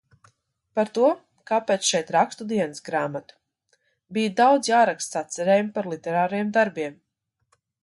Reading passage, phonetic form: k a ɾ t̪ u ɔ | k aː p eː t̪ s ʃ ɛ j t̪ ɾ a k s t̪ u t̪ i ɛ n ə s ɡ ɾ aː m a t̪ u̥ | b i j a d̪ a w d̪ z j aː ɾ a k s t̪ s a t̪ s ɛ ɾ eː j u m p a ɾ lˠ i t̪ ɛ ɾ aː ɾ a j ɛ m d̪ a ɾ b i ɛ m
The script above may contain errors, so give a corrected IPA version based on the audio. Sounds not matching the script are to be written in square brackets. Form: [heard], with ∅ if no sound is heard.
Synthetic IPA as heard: [p] a ɾ t̪ u ɔ | k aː p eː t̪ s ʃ ɛ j t̪ ɾ a k s t̪ u [d̪] i ɛ n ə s ɡ ɾ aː m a t̪ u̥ | b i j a d̪ a w d̪ z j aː ɾ a k s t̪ s a t̪ s ɛ ɾ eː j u m p a ɾ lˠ i t̪ ɛ ɾ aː ɾ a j ɛ m d̪ a ɾ b i ɛ m